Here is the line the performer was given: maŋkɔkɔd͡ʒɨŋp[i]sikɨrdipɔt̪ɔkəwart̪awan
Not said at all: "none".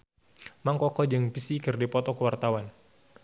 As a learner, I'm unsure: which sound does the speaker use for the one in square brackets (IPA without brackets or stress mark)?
i